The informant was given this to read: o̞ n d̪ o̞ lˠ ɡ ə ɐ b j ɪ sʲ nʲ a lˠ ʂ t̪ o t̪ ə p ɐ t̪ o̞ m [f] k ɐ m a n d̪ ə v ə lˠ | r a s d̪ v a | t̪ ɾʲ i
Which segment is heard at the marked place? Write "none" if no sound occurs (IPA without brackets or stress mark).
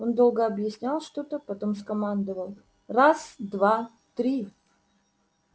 s